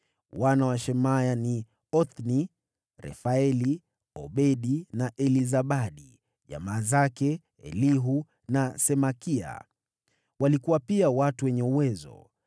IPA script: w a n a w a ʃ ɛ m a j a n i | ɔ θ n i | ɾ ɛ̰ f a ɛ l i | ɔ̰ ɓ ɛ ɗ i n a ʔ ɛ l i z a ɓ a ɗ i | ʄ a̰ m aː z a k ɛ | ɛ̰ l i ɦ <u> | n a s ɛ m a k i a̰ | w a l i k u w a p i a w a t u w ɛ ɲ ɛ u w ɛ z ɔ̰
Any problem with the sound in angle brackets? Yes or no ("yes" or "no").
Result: no